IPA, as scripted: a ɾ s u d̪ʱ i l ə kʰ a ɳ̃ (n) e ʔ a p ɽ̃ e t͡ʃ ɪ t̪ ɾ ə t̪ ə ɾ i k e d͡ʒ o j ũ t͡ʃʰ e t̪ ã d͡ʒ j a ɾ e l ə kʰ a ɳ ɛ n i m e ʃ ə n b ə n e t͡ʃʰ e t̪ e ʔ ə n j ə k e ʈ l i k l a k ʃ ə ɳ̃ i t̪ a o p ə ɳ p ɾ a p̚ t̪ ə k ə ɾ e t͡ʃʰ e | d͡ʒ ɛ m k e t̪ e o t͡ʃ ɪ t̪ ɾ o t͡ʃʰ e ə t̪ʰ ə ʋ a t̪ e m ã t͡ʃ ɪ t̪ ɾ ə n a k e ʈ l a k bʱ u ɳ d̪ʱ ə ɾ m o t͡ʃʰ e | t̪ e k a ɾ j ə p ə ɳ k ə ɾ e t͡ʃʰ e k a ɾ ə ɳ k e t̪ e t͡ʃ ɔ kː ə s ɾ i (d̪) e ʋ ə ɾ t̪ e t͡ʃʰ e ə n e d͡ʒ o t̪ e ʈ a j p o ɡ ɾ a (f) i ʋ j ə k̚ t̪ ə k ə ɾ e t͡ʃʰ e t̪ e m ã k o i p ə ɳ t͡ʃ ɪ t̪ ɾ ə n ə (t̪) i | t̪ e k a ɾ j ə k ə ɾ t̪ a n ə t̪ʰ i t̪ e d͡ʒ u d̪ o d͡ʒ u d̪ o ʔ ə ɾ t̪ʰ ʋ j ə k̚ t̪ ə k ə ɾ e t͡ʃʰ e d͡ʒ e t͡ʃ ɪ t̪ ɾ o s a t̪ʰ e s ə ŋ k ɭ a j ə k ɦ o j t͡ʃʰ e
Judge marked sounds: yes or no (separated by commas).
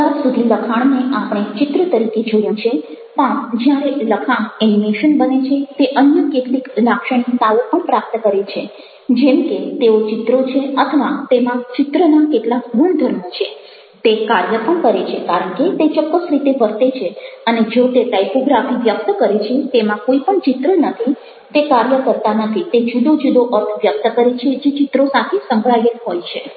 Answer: yes, no, yes, no